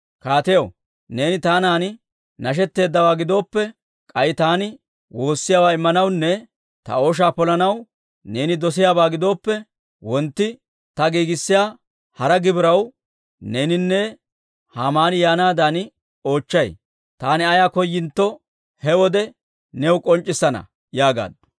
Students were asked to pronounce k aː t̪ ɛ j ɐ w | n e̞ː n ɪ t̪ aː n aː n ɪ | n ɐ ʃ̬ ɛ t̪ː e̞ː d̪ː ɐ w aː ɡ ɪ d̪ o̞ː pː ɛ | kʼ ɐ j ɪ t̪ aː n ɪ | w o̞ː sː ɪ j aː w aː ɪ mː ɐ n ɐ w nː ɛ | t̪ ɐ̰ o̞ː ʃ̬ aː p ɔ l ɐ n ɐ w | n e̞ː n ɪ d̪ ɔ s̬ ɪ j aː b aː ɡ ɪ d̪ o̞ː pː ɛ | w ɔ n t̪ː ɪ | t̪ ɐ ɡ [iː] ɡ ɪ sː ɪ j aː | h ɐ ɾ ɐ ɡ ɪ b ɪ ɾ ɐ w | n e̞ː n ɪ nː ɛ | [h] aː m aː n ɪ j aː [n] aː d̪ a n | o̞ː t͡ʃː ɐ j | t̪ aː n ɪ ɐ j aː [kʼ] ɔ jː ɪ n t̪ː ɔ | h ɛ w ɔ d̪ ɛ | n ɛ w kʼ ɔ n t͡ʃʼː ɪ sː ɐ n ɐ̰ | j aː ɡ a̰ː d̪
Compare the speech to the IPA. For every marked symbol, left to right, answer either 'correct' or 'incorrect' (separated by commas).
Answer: correct, correct, correct, incorrect